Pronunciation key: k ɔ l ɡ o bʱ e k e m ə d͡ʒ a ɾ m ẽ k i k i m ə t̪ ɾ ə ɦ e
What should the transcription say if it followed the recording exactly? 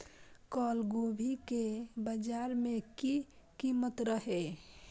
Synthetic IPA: k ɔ l ɡ o bʱ i k e b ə d͡ʒ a ɾ m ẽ k i k i m ə t̪ ɾ ə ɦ e